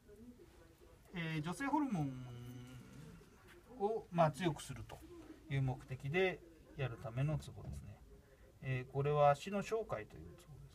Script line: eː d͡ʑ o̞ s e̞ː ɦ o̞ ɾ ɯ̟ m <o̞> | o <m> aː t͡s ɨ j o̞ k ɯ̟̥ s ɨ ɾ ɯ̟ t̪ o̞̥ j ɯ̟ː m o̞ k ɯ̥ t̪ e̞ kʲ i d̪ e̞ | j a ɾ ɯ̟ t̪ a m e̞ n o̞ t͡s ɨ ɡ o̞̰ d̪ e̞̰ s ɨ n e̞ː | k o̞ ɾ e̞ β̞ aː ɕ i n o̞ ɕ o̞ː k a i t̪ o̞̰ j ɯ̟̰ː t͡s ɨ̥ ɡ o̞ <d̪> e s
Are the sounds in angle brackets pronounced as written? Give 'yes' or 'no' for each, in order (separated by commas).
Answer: no, yes, yes